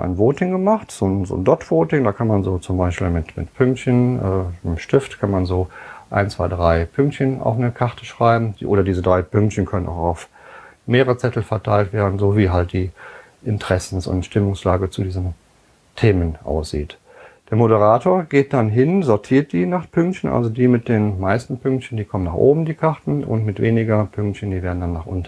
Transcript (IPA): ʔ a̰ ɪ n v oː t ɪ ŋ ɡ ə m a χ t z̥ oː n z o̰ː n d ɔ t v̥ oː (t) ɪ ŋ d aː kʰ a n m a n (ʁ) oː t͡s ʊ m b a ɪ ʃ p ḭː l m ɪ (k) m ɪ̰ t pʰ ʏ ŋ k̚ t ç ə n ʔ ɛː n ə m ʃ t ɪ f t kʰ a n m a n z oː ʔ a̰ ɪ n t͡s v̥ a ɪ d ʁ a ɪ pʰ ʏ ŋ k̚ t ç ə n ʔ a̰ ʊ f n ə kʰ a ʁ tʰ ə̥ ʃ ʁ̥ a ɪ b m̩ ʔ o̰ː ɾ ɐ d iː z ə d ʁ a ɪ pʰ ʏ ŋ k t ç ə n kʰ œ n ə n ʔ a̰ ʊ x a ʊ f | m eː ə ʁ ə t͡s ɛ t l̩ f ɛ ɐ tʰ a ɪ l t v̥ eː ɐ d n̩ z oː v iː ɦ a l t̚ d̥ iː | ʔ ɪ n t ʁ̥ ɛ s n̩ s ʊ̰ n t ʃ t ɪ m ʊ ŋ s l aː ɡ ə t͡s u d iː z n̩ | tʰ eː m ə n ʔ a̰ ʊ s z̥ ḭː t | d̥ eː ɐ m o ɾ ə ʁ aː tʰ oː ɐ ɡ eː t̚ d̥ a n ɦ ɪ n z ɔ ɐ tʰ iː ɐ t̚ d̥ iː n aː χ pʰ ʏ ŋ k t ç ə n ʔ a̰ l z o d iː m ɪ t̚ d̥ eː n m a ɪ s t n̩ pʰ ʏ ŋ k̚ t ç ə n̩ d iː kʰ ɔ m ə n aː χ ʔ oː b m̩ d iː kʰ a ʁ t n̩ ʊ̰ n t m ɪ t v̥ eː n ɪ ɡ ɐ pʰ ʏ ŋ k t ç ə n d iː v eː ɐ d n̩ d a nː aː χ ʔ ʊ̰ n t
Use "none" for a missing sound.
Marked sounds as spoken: t, z, t

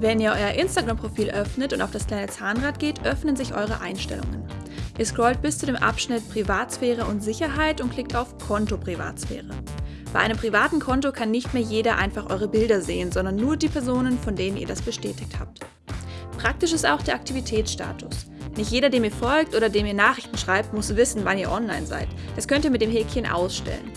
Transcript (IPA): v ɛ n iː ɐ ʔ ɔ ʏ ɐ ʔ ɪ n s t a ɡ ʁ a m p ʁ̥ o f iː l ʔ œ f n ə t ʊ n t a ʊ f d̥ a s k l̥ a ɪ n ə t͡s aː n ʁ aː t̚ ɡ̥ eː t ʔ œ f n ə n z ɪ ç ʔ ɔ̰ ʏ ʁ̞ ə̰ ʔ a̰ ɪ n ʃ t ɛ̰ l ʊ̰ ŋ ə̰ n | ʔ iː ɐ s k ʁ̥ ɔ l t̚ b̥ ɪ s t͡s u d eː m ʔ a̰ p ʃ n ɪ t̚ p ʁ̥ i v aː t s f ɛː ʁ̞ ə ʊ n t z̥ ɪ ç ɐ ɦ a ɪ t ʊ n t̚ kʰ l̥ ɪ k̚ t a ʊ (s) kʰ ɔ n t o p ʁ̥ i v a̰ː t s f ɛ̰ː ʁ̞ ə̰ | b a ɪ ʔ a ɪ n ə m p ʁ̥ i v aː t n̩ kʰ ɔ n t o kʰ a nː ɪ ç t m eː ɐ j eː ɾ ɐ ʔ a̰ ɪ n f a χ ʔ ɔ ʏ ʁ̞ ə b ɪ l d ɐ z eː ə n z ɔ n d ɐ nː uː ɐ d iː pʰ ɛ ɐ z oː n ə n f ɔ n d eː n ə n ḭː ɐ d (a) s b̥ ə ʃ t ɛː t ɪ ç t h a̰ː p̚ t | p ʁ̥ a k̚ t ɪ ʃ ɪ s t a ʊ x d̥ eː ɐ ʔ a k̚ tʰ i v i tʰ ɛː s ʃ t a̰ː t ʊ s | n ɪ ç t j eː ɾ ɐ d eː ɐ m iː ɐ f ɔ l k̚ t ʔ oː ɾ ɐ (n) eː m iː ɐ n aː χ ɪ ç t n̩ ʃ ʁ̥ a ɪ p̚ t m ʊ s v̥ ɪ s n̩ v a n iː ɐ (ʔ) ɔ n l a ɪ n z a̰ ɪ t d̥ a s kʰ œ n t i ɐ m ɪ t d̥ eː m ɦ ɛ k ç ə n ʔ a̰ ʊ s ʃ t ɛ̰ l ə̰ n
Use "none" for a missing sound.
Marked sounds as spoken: f, a, d, ʔ

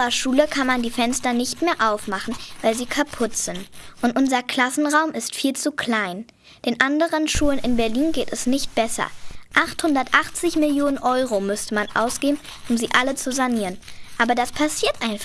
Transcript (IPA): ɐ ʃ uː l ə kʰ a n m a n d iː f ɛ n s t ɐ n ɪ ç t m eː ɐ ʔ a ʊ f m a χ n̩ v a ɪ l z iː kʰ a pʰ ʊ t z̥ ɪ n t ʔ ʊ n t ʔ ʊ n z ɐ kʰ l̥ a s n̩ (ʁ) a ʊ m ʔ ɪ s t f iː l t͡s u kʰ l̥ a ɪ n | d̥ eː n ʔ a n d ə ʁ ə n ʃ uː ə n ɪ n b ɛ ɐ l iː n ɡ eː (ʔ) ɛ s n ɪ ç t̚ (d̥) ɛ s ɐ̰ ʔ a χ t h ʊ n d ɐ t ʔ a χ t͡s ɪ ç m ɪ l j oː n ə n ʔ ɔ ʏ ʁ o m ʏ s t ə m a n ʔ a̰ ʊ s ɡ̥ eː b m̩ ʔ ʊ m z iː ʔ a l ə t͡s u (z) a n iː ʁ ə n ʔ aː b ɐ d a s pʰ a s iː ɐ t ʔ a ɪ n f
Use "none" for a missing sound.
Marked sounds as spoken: ʁ, t, b̥, z

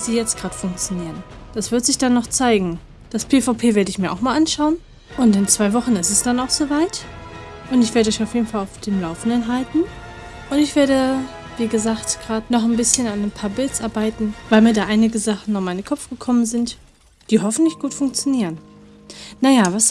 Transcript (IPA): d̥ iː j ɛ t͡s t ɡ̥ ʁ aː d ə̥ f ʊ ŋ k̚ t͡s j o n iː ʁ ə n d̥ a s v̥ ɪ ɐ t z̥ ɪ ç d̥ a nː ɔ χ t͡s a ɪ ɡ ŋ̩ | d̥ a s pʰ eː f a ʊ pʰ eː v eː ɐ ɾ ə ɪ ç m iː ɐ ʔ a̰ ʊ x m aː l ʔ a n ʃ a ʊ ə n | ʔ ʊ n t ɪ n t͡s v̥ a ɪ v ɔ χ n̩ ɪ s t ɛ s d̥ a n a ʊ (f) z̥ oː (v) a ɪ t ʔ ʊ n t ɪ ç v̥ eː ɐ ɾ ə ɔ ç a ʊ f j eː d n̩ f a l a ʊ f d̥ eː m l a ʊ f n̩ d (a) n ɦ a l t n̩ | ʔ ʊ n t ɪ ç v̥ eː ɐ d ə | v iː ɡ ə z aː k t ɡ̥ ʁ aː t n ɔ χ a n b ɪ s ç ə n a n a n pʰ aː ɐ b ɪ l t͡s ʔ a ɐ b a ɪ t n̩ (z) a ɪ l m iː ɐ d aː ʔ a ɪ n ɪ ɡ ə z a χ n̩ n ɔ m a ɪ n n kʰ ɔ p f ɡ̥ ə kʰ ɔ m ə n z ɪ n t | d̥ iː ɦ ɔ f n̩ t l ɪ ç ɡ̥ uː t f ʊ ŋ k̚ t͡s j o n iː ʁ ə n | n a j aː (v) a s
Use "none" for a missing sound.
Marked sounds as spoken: x, v, ə, v, v

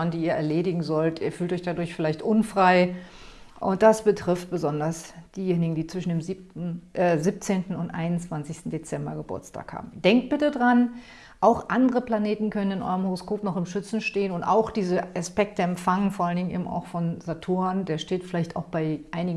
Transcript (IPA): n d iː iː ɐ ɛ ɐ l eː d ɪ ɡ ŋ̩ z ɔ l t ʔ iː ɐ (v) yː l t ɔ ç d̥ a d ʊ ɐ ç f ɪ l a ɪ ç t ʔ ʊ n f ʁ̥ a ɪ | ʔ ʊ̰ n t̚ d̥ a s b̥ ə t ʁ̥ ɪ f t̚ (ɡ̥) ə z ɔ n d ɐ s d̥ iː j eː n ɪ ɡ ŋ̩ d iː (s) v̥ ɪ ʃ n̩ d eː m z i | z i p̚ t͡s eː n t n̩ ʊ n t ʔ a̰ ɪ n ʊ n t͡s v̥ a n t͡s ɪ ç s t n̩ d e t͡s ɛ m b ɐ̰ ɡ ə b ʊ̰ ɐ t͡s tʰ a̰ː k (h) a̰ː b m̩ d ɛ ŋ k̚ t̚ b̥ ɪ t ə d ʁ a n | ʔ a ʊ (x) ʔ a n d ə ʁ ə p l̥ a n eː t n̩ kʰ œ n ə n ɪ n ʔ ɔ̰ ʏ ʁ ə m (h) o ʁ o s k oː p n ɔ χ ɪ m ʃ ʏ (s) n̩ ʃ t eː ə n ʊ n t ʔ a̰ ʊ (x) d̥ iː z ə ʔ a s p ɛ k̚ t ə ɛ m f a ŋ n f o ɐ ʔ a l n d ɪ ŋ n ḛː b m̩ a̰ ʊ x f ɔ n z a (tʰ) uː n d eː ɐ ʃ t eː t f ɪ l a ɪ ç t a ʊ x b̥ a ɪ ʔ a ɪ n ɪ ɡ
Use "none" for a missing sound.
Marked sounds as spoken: f, b̥, t͡s, h, x, h, t͡s, x, tʰ

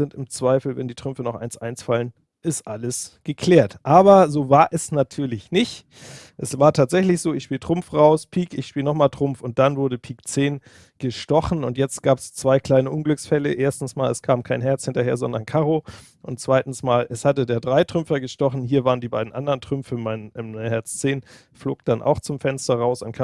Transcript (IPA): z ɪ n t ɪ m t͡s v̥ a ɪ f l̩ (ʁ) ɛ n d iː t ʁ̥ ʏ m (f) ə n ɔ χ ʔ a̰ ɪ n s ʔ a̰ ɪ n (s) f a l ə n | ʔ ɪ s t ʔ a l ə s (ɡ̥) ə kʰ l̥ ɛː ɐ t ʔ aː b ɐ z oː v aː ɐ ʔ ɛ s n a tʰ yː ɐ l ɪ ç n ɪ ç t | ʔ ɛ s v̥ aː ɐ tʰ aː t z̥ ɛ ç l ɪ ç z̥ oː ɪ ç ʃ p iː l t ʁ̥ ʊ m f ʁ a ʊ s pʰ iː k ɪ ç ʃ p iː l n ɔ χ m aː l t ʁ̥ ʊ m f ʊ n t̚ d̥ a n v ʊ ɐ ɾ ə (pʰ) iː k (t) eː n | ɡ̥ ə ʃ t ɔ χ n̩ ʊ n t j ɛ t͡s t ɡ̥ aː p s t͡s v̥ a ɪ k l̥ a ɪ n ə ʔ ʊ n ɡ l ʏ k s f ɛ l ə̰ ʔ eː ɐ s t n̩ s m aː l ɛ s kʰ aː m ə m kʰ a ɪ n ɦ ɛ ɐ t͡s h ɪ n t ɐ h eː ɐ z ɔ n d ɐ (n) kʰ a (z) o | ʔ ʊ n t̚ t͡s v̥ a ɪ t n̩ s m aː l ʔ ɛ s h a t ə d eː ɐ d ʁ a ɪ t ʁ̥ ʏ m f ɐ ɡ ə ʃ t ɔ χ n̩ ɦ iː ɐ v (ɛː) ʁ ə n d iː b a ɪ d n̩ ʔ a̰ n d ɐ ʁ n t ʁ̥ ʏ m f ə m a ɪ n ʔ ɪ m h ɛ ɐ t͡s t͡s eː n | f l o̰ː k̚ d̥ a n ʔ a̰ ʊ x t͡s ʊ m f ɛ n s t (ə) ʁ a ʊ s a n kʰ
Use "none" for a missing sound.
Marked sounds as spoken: v, f, s, ɡ̥, pʰ, t͡s, n, ʁ, aː, ɐ

